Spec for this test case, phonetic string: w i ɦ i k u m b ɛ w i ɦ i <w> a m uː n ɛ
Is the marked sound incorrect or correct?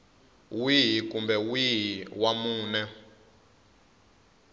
correct